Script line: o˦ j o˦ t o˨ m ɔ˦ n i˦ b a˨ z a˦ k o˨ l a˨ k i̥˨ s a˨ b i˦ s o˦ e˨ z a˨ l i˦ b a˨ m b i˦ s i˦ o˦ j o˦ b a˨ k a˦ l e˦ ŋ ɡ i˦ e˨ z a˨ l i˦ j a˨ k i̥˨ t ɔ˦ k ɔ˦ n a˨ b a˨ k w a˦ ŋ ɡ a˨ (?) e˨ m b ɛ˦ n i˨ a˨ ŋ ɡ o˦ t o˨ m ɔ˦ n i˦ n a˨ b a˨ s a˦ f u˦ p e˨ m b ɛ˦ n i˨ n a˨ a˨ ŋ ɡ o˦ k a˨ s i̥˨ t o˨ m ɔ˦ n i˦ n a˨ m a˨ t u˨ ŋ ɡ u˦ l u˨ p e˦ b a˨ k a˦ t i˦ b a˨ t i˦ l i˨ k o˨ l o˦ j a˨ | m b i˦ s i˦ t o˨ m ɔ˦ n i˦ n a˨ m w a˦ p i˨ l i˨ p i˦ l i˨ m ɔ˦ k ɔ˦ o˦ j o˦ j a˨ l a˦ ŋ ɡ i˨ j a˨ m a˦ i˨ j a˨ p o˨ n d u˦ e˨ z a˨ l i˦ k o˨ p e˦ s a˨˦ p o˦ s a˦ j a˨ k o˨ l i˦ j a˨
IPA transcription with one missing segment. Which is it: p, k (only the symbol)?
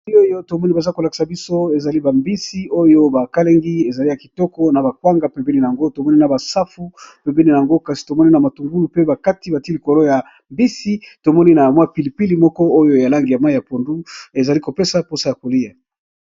p